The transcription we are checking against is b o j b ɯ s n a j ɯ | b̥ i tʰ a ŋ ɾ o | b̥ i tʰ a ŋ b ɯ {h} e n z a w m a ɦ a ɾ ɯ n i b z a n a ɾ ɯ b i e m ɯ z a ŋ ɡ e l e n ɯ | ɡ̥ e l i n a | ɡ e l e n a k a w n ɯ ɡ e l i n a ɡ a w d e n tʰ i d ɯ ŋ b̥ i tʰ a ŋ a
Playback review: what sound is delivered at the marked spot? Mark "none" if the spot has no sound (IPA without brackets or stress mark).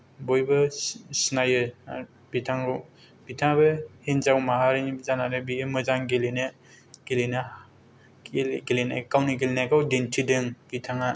h